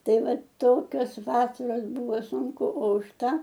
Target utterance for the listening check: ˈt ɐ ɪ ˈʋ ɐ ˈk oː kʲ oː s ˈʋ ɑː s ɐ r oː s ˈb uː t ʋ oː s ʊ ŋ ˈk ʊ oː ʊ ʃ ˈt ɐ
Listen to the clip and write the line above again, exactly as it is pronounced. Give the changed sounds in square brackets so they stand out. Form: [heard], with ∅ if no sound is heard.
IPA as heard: ˈt ɐ ɪ ˈʋ ɐ [ˈt] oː kʲ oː s ˈʋ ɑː s ɐ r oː s ˈb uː [∅] ʋ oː s ʊ ŋ ˈk ʊ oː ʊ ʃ ˈt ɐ